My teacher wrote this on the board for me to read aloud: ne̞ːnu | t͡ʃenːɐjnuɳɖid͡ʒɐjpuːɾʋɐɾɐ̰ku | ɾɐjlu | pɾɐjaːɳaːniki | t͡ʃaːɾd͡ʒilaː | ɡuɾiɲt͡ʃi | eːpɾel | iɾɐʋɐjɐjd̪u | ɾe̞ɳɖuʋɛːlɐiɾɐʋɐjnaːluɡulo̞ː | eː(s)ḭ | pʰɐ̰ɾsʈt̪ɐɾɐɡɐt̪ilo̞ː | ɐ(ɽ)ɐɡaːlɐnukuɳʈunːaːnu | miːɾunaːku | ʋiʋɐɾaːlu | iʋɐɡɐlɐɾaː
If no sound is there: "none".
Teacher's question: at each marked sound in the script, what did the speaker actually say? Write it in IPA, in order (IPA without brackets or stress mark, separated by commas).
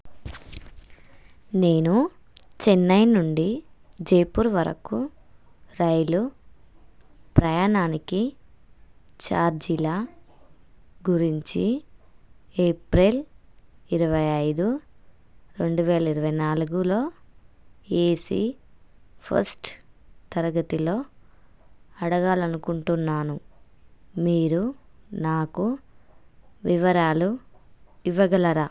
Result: s, ɽ